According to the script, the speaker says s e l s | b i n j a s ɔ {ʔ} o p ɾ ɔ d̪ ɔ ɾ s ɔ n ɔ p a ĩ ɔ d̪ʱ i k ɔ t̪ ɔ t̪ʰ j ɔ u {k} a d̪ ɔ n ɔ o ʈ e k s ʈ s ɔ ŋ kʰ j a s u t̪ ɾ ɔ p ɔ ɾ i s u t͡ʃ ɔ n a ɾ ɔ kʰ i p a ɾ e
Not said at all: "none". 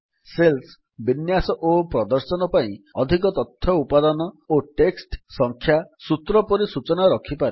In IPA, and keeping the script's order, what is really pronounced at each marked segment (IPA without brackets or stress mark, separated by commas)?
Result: ʔ, p